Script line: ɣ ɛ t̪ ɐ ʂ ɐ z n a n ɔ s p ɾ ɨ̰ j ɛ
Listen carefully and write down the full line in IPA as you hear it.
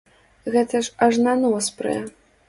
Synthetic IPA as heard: ɣ ɛ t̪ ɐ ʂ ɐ ʐ n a n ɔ s p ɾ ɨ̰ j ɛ